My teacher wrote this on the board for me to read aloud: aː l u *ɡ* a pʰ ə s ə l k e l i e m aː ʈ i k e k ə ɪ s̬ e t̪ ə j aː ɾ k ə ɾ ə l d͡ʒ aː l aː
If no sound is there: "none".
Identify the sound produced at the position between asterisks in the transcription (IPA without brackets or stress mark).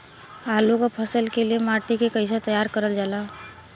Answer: k